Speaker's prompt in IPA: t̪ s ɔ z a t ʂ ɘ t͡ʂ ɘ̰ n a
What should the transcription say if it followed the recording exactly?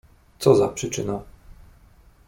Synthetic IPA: t̪ s ɔ z a p ʂ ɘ t͡ʂ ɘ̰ n a

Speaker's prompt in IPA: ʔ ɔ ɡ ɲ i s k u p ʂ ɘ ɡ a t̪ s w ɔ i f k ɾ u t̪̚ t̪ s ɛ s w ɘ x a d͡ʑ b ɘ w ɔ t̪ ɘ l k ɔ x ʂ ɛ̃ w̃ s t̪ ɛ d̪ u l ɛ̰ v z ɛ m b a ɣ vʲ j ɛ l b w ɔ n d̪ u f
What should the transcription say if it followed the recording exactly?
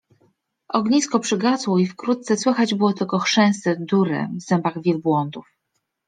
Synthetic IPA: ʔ ɔ ɡ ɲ i s k ɔ p ʂ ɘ ɡ a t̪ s w ɔ i f k ɾ u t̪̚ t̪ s ɛ s w ɘ x a d͡ʑ b ɘ w ɔ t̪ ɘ l k ɔ x ʂ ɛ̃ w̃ s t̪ ɛ d̪ u ɾ ɛ̰ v z ɛ m b a ɣ vʲ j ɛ l b w ɔ n d̪ u f

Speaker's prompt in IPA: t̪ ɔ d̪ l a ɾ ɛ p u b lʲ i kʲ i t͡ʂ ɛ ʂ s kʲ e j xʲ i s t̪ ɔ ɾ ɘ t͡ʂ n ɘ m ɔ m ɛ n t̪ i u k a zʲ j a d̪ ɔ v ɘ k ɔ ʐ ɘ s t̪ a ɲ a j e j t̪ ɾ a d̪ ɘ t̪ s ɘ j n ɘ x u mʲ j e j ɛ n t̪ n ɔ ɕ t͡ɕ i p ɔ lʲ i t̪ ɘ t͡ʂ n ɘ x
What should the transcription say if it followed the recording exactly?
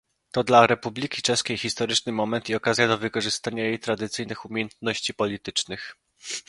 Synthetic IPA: t̪ ɔ d̪ l a ɾ ɛ p u b lʲ i kʲ i t͡ʂ ɛ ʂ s kʲ e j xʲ i s t̪ ɔ ɾ ɘ t͡ʂ n ɘ m ɔ m ɛ n t̪ i ɔ k a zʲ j a d̪ ɔ v ɘ k ɔ ʐ ɘ s t̪ a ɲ a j e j t̪ ɾ a d̪ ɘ t̪ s ɘ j n ɘ x u mʲ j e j ɛ n t̪ n ɔ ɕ t͡ɕ i p ɔ lʲ i t̪ ɘ t͡ʂ n ɘ x

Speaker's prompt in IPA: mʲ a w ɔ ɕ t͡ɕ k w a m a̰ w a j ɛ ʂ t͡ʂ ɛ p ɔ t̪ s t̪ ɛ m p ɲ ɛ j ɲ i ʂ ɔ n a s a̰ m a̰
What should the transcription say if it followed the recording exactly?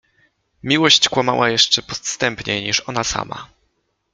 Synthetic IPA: mʲ i w ɔ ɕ t͡ɕ k w a m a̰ w a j ɛ ʂ t͡ʂ ɛ p ɔ t̪ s t̪ ɛ m p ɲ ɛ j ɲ i ʂ ɔ n a s a̰ m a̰

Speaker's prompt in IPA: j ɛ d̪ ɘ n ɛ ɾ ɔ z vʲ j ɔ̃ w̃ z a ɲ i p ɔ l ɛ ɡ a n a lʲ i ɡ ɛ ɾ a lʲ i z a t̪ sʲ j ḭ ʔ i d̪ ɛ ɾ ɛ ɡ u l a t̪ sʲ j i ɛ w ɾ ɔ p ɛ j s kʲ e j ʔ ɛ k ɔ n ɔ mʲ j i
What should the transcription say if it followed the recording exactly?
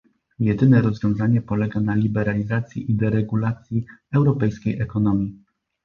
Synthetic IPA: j ɛ d̪ ɘ n ɛ ɾ ɔ z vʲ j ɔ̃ w̃ z a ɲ ɛ p ɔ l ɛ ɡ a n a lʲ i b ɛ ɾ a lʲ i z a t̪ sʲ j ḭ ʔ i d̪ ɛ ɾ ɛ ɡ u l a t̪ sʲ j i ɛ w ɾ ɔ p ɛ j s kʲ e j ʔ ɛ k ɔ n ɔ mʲ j i

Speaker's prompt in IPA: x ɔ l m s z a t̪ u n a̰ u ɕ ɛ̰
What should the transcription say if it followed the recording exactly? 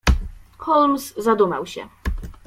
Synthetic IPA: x ɔ l m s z a d̪ u m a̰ w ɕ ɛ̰

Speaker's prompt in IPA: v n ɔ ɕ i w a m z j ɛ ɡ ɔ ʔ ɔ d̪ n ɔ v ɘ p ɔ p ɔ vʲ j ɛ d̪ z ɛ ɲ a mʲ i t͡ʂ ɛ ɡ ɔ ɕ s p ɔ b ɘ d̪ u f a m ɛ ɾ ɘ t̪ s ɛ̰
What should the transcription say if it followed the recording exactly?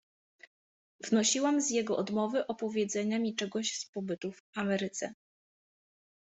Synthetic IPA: v n ɔ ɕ i w a m z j ɛ ɡ ɔ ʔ ɔ d̪ m ɔ v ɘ ʔ ɔ p ɔ vʲ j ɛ d̪ z ɛ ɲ a mʲ i t͡ʂ ɛ ɡ ɔ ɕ s p ɔ b ɘ t̪ u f a m ɛ ɾ ɘ t̪ s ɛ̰

